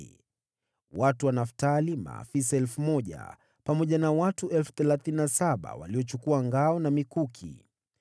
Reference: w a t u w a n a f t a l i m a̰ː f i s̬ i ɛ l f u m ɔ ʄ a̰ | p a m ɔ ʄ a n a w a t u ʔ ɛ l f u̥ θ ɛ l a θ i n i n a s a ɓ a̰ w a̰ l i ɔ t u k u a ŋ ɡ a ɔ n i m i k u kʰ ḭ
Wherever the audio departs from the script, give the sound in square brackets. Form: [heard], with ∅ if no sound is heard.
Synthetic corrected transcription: w a t u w a n a f t a l i m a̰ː f i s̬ [a] ɛ l f u m ɔ ʄ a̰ | p a m ɔ ʄ a n a w a t u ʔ ɛ l f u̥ θ ɛ l a θ i n i n a s a ɓ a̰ w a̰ l i ɔ [t͡ʃ] u k u a ŋ ɡ a ɔ n [a] m i k u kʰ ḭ